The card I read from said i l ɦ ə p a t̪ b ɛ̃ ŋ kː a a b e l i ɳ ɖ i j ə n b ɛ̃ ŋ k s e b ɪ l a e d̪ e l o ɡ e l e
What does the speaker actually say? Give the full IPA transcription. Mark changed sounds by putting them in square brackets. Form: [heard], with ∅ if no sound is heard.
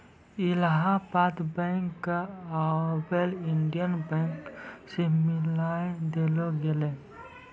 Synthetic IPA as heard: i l ɦ [a] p a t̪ b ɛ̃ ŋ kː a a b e l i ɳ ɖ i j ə n b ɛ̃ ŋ k s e [m] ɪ l a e d̪ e l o ɡ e l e